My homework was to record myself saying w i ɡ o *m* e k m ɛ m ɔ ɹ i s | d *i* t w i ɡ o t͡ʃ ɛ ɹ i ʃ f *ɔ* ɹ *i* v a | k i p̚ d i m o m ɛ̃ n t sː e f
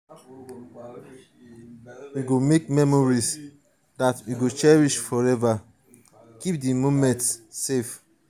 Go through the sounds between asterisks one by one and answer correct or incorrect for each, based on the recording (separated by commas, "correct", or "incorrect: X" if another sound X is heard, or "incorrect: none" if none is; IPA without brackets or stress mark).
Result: correct, incorrect: a, correct, incorrect: ɛ